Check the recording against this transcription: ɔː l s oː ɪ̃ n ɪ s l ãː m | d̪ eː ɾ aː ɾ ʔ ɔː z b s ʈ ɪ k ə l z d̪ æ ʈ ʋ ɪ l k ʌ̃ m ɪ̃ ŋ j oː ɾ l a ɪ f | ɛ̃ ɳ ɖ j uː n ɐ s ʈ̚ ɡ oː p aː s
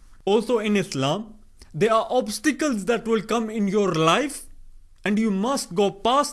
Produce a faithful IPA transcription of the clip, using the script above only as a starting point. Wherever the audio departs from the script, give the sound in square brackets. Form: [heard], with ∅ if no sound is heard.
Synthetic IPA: ɔː l s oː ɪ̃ n ɪ s l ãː m | d̪ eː ɾ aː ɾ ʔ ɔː [∅] b s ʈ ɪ k ə l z d̪ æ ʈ ʋ ɪ l k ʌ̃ m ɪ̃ [n] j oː ɾ l a ɪ f | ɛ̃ ɳ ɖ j uː [m] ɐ s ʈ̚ ɡ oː p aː s